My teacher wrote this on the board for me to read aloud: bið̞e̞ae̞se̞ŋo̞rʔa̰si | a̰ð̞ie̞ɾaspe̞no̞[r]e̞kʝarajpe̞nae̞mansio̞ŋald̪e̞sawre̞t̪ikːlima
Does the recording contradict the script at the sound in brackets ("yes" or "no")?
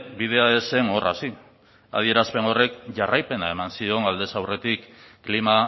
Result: no